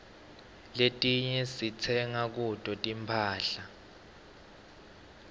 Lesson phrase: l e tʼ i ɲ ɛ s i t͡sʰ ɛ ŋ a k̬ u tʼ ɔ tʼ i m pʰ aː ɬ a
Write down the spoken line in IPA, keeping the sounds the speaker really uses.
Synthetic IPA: l e tʼ i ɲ ɛ s i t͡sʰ ɛ ŋ a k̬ u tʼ ɔ tʼ i m pʰ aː ɬ a